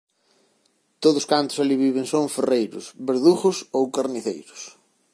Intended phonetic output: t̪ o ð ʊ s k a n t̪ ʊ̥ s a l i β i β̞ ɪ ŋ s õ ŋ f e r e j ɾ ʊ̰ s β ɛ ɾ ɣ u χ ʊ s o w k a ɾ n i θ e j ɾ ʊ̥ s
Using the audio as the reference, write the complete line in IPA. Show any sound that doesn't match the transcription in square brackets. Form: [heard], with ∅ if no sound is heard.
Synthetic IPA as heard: t̪ o ð ʊ s k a n t̪ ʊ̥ s a l i β i β̞ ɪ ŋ s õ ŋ f e r e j ɾ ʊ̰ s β [e] ɾ [ð] u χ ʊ s o w k a ɾ n i θ e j ɾ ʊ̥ s